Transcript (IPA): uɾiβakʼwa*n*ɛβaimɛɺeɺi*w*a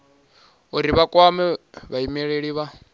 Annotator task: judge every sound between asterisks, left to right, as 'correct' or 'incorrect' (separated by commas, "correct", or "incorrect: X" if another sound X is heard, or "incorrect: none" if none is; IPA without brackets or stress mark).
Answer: incorrect: m, incorrect: β